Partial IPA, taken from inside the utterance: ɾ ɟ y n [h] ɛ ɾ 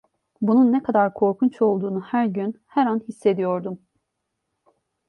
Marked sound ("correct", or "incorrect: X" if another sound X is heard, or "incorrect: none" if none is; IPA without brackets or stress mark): correct